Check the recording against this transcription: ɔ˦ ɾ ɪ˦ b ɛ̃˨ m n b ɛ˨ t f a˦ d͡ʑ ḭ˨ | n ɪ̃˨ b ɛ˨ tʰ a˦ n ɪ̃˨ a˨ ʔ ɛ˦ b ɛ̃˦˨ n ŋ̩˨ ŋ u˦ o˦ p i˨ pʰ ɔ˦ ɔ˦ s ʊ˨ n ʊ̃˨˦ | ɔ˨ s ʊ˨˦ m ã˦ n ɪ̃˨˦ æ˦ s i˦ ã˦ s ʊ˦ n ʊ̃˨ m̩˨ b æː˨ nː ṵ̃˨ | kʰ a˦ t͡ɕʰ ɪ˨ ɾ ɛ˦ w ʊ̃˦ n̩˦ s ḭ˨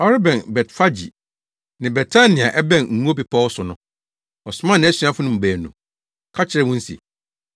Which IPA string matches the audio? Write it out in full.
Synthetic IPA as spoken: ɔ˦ ɾ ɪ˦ b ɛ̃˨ n b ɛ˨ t f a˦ d͡ʑ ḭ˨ | n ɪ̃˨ b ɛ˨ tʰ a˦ n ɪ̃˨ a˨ ʔ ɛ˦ b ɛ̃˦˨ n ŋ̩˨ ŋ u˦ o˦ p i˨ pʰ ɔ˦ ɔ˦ s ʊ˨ n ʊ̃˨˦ | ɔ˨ s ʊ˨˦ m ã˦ n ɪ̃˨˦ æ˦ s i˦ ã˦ f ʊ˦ n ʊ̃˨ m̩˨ b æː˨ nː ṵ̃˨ | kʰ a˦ t͡ɕʰ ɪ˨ ɾ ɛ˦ w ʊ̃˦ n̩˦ s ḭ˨

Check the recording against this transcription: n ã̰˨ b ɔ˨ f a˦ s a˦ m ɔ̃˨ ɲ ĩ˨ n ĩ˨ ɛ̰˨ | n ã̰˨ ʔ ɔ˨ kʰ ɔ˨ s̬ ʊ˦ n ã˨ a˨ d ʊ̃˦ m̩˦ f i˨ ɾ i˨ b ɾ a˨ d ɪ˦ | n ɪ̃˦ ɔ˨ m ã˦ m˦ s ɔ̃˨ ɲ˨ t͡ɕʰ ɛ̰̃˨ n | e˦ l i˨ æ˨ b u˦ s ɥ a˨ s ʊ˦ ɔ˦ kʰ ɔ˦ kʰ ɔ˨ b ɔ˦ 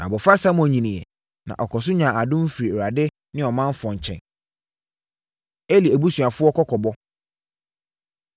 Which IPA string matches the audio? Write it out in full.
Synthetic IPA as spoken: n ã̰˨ b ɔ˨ f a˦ s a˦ m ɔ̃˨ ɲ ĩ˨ n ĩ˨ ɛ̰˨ | n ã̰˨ ʔ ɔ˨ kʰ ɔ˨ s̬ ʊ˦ ɲ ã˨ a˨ d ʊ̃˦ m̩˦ f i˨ ɾ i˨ ɾ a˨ d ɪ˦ | n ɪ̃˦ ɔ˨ m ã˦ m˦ f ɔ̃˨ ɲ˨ t͡ɕʰ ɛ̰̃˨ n | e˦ l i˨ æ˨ b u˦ s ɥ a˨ f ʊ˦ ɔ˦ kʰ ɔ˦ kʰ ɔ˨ b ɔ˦

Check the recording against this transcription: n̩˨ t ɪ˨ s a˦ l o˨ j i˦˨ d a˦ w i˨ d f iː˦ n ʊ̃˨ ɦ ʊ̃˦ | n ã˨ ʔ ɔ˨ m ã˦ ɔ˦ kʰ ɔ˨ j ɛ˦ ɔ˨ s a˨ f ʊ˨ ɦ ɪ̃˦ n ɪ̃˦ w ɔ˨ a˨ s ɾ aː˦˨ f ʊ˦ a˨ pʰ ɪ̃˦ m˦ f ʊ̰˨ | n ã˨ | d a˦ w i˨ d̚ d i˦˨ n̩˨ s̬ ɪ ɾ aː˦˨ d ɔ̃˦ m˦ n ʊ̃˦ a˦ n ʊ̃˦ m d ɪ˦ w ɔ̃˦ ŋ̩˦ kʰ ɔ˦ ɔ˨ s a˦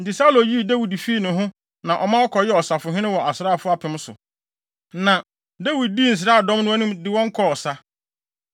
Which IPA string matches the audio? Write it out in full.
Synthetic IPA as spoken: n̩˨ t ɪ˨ s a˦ l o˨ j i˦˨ d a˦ w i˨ d f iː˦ n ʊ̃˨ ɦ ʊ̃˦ | n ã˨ ʔ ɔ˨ m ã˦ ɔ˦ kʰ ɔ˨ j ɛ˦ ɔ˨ s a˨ f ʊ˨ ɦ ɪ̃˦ n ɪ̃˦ w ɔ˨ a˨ s ɾ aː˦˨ f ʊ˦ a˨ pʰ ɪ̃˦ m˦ s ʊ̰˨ | n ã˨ | d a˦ w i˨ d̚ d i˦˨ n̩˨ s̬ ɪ ɾ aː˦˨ d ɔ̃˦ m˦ n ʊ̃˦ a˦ n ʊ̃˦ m d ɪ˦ w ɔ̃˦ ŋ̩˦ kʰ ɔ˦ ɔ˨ s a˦

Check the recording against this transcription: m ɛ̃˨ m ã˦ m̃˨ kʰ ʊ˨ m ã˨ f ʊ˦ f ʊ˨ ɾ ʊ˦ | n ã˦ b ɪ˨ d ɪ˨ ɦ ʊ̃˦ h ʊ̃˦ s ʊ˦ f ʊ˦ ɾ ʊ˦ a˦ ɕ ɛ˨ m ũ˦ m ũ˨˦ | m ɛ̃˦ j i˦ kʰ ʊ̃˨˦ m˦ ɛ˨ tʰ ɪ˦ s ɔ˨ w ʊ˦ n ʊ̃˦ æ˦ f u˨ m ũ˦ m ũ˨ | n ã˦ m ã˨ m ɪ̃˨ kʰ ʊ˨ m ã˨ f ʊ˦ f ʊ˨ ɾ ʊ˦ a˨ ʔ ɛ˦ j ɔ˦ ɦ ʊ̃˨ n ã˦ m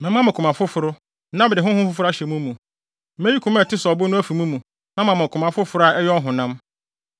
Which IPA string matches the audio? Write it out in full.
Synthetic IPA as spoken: m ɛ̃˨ m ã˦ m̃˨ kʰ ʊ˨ m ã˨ f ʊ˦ f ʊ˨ ɾ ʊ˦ | n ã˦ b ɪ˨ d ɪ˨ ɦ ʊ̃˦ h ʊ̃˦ f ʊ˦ f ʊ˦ ɾ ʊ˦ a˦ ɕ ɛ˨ m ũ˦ m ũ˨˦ | m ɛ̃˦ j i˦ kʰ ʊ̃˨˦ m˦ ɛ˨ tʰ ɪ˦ s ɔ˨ b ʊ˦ n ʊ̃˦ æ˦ f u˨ m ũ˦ m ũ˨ | n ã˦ m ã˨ m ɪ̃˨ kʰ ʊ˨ m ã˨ f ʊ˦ f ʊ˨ ɾ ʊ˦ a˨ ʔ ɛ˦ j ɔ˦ ɦ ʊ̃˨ n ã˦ m

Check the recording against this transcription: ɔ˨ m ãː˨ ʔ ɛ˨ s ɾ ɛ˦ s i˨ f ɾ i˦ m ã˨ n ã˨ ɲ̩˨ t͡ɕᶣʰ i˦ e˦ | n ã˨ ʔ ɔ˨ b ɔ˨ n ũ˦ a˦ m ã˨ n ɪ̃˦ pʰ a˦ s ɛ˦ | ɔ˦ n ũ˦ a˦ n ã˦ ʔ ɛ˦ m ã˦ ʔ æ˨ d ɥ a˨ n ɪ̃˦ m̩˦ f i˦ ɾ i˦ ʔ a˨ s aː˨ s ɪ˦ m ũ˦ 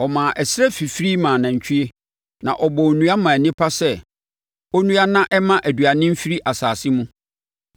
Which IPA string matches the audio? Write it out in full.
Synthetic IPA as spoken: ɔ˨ m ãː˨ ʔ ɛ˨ s ɾ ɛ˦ f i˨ f ɾ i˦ m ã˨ n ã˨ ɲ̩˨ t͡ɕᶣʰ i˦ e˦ | n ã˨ ʔ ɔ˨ b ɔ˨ n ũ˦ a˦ m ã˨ n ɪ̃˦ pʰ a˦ s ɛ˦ | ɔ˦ n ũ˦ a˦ n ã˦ ʔ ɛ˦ m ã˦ ʔ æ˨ d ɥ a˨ n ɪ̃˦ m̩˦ f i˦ ɾ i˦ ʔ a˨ s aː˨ s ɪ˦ m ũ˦

